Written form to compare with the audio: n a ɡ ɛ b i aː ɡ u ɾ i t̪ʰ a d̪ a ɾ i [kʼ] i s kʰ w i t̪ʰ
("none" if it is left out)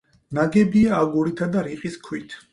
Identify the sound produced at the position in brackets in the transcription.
qʼ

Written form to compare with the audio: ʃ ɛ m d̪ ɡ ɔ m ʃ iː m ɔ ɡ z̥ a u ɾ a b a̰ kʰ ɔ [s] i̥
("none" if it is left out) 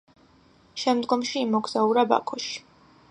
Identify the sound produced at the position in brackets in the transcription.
ʃ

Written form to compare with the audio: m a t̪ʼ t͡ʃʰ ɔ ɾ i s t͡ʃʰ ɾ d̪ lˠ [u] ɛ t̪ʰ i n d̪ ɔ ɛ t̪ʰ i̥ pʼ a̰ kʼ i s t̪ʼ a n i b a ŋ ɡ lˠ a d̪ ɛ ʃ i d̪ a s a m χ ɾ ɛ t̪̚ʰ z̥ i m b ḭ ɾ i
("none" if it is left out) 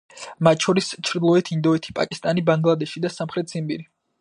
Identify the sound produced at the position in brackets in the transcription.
ɔ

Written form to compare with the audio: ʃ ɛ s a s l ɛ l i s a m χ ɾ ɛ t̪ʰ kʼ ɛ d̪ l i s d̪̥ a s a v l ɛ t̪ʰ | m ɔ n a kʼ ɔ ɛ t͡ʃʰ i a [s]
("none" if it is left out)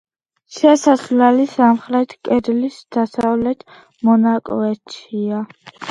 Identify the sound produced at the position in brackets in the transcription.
none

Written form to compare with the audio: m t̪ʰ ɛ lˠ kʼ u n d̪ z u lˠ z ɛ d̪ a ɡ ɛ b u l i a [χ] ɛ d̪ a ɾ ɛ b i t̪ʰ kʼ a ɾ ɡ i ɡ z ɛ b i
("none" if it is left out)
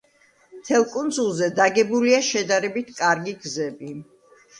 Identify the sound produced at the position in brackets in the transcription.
ʃ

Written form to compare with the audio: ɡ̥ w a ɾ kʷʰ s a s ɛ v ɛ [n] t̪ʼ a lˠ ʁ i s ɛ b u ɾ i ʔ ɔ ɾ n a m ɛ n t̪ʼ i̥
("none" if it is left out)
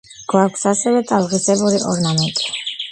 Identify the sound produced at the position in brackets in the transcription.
none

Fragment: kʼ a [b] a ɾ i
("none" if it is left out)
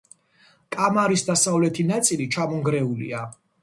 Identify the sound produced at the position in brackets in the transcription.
m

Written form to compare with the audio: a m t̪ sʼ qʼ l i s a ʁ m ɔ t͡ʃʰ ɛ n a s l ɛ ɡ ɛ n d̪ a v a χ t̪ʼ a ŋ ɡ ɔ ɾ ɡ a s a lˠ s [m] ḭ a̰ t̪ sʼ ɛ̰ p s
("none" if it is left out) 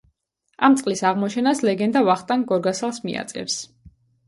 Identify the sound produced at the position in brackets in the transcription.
m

